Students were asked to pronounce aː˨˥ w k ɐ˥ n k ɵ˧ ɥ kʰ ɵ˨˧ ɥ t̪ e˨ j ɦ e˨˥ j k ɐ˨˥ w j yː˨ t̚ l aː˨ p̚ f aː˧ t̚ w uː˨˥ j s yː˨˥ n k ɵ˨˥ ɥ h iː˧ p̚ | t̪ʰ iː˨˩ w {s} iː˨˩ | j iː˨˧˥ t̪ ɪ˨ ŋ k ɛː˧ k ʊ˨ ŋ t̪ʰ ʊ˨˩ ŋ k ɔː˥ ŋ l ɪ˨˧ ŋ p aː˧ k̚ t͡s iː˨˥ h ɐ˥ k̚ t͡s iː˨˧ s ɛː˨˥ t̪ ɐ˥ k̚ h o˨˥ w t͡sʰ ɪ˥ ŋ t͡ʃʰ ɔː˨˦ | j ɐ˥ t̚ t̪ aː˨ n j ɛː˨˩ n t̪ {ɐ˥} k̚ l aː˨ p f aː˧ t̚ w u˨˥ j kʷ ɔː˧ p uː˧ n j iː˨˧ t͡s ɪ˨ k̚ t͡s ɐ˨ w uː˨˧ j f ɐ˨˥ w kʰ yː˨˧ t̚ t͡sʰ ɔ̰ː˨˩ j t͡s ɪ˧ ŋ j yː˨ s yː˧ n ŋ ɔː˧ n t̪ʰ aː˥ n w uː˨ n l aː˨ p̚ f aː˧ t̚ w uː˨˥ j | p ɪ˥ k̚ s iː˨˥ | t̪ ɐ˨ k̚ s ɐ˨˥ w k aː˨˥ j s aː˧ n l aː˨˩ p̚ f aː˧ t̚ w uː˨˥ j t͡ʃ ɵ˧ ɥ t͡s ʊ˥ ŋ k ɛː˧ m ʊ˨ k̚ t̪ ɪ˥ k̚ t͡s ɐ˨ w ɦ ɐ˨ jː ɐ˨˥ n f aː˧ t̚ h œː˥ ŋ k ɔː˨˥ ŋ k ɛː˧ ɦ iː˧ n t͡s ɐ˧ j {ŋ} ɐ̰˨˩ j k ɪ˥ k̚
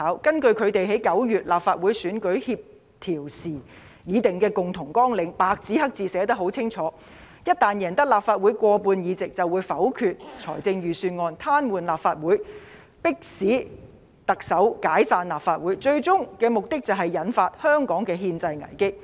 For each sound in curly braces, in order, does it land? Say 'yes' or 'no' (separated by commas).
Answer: yes, yes, yes